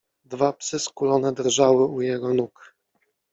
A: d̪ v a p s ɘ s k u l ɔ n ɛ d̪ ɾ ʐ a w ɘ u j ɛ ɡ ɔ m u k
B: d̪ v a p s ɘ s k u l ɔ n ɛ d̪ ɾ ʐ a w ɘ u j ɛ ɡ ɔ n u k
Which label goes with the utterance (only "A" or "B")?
B